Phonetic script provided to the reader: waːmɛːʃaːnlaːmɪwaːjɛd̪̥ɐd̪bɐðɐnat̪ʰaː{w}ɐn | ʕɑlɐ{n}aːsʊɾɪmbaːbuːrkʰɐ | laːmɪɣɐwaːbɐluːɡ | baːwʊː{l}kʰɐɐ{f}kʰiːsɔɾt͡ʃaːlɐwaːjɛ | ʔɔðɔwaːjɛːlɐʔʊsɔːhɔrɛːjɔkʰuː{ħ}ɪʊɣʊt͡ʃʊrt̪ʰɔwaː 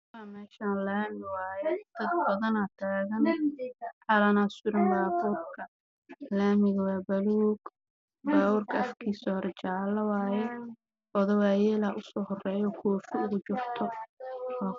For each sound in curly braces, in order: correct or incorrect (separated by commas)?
incorrect, correct, incorrect, correct, incorrect